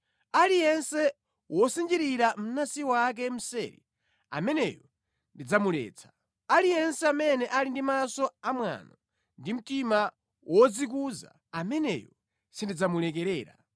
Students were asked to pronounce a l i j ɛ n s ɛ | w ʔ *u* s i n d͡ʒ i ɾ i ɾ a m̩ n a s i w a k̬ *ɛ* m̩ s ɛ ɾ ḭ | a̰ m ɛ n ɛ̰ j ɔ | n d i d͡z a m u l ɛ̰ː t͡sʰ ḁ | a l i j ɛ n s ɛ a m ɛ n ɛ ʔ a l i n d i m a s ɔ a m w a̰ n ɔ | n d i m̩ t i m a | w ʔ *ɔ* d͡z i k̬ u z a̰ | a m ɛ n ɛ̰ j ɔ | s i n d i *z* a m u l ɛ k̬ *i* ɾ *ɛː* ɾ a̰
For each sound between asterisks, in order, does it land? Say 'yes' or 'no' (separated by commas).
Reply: no, yes, yes, no, no, yes